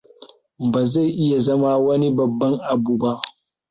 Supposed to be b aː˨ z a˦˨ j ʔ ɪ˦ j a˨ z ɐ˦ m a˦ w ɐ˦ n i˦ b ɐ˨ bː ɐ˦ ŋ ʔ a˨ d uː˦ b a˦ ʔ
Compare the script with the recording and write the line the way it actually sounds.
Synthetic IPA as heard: b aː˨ z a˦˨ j ʔ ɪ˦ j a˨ z ɐ˦ m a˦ w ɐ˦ n i˦ b ɐ˨ bː ɐ˦ ŋ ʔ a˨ b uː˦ b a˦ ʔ